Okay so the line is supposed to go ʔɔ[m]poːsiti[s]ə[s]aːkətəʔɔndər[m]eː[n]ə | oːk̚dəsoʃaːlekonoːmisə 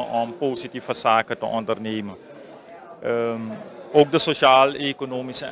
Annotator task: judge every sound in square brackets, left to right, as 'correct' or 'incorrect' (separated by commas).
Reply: correct, incorrect, correct, incorrect, incorrect